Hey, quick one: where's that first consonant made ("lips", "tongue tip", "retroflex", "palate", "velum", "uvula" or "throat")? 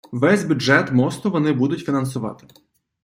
lips